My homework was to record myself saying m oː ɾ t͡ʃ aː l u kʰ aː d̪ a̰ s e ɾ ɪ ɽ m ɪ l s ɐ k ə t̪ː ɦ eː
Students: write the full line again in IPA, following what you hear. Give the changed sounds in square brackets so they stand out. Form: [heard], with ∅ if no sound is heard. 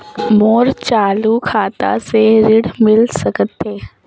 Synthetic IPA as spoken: m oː ɾ t͡ʃ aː l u kʰ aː [t̪] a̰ s e ɾ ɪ ɽ m ɪ l s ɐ k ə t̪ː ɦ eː